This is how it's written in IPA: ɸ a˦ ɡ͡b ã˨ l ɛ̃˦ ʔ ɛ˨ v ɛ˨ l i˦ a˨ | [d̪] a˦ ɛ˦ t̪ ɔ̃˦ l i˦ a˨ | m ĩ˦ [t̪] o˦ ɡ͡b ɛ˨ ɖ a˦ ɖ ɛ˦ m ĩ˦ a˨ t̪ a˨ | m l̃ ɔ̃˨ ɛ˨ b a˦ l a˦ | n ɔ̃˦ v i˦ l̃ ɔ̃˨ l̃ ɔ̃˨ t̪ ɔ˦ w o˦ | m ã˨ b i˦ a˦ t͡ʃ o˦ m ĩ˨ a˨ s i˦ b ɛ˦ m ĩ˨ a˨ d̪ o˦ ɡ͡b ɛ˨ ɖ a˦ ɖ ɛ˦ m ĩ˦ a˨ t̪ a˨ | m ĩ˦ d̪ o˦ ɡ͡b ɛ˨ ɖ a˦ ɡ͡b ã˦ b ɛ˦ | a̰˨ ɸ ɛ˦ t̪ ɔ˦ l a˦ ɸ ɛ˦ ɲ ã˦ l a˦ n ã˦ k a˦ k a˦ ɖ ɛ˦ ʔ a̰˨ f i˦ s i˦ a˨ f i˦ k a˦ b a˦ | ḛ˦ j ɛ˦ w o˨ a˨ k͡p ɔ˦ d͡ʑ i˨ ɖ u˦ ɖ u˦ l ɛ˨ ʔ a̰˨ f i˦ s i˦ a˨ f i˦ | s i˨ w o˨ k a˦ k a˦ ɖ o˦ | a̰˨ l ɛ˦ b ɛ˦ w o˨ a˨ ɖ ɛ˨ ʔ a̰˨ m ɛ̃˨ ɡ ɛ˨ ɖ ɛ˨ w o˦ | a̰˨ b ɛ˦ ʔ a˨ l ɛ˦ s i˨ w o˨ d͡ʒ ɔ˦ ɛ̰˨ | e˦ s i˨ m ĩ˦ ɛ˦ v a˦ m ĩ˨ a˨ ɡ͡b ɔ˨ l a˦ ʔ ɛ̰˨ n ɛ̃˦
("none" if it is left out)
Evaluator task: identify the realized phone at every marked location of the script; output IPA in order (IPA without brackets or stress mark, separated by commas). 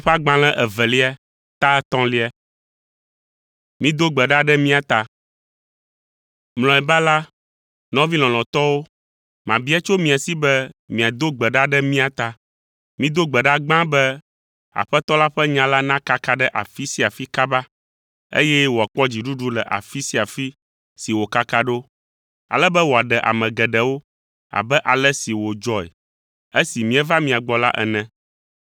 t̪, d̪